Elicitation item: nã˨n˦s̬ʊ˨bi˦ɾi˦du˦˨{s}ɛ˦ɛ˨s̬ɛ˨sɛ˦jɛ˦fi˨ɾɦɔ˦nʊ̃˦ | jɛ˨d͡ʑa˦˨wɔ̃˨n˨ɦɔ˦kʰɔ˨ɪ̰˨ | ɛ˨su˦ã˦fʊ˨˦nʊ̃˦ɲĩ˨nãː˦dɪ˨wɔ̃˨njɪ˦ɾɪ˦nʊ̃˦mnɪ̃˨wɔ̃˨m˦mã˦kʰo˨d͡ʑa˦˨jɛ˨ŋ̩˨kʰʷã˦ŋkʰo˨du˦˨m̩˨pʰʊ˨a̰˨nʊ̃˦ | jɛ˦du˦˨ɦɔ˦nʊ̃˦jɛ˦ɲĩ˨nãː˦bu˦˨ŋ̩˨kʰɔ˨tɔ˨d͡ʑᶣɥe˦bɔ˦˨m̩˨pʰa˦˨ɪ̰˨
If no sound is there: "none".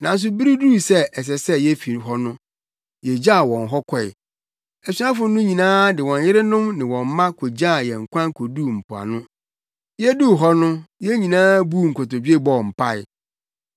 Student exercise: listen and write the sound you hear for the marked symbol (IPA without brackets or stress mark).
s